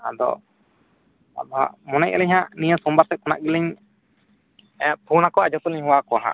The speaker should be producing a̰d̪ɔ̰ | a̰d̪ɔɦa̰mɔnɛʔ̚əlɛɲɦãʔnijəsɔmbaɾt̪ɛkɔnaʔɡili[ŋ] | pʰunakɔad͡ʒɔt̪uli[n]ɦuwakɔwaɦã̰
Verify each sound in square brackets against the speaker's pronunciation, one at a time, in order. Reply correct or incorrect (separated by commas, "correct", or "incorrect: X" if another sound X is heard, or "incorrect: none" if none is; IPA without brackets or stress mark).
incorrect: ɲ, incorrect: ɲ